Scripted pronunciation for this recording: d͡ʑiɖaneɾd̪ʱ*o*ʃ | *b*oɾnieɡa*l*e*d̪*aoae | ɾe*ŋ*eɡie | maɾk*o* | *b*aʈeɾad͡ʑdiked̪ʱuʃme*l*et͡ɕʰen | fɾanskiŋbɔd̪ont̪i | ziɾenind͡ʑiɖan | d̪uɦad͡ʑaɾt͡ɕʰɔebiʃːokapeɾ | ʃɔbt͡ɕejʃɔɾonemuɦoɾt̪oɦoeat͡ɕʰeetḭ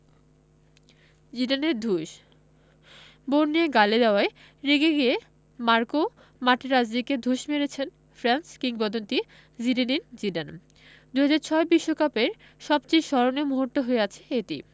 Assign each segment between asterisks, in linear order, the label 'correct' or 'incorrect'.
incorrect, correct, correct, correct, incorrect, correct, incorrect, incorrect

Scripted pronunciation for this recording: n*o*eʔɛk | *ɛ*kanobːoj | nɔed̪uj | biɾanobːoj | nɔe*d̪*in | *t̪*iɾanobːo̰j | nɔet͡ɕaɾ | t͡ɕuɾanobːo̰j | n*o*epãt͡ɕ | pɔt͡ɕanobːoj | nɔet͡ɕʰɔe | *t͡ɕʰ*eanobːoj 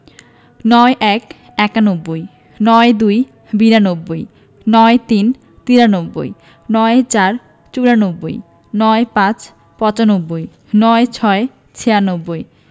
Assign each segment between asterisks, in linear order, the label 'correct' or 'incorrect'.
incorrect, correct, incorrect, correct, incorrect, correct

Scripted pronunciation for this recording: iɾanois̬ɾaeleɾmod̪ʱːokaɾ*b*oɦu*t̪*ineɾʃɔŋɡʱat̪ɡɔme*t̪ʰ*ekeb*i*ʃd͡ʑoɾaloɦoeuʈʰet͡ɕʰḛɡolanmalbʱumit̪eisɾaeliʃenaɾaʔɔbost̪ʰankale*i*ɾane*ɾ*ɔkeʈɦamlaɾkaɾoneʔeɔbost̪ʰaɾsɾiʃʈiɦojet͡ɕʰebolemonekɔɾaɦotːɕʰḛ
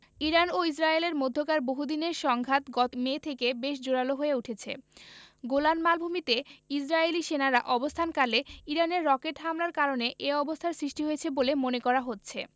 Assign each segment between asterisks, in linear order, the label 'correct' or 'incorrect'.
correct, incorrect, correct, incorrect, correct, incorrect

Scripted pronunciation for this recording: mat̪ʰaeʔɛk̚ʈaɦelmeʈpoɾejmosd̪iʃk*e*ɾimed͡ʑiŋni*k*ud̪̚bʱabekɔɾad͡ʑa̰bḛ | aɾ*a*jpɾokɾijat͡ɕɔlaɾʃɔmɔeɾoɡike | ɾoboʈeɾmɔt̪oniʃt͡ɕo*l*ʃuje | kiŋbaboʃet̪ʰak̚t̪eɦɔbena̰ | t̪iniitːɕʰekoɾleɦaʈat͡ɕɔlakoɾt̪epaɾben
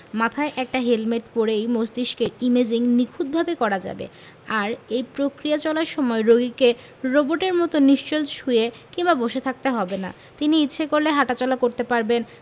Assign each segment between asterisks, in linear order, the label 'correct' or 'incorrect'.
correct, incorrect, incorrect, correct

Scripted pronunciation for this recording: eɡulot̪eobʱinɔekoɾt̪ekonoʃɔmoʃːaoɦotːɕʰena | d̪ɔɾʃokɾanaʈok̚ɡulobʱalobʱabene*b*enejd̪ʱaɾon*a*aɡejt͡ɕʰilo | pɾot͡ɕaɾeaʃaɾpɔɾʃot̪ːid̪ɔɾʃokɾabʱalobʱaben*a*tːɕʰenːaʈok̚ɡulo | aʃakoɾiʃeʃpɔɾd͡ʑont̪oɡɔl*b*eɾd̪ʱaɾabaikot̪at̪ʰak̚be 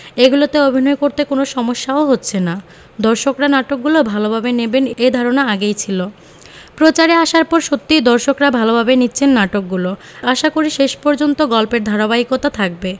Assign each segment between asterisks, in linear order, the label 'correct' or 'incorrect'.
correct, correct, incorrect, incorrect

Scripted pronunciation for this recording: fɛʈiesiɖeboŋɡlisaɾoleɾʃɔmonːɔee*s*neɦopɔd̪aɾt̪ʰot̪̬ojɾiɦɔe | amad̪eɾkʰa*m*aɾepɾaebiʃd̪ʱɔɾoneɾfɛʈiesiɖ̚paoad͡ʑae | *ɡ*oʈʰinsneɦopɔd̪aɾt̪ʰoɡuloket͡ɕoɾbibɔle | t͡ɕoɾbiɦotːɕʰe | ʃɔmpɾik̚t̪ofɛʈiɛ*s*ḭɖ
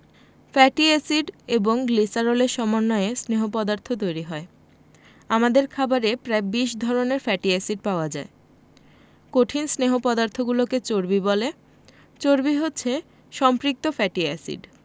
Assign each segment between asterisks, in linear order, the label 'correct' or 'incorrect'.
correct, incorrect, incorrect, correct

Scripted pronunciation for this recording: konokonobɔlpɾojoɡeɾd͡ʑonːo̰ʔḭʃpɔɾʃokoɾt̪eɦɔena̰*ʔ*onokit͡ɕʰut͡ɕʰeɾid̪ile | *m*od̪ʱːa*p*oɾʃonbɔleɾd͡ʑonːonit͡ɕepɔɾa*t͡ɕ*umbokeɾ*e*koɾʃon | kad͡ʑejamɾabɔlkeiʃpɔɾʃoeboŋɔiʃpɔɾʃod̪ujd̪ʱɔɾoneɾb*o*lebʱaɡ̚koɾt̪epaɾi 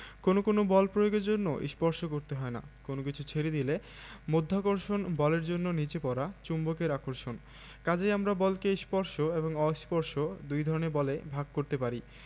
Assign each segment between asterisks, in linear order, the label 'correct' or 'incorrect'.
incorrect, correct, incorrect, correct, incorrect, incorrect

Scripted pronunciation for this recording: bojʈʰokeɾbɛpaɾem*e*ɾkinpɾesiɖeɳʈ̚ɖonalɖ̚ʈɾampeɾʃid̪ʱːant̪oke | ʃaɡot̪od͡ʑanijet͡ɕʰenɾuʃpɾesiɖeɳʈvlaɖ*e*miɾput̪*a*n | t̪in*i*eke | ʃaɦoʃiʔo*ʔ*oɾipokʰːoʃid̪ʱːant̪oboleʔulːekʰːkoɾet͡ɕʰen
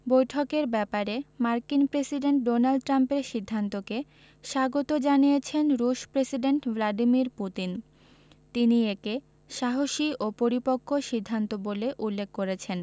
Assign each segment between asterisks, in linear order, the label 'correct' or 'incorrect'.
incorrect, incorrect, incorrect, correct, incorrect

